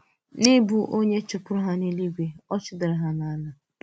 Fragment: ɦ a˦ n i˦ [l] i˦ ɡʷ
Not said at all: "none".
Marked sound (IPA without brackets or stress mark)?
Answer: l